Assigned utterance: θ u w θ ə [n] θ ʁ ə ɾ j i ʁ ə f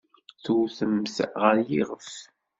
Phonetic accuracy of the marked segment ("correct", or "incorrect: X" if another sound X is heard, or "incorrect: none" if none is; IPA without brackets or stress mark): incorrect: m